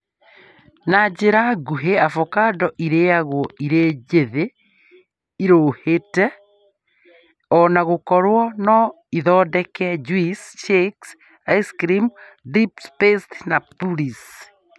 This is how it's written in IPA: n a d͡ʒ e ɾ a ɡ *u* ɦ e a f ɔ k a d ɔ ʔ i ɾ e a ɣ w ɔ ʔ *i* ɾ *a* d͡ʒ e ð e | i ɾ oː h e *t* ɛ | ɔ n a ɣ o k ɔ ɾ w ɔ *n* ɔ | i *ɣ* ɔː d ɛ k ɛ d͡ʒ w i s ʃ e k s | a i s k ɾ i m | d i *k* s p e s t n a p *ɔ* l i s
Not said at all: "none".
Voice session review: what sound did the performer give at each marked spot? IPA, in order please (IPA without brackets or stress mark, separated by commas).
u, i, e, t, n, ð, p, u